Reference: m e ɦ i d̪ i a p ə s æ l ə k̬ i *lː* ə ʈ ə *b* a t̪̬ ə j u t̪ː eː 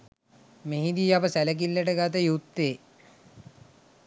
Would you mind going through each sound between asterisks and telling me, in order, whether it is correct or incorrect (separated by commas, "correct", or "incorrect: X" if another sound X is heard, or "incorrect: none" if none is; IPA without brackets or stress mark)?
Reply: correct, incorrect: ɡ